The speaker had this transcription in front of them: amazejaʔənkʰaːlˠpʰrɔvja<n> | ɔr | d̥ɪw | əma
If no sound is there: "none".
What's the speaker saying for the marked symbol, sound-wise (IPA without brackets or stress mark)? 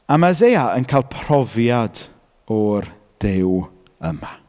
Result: d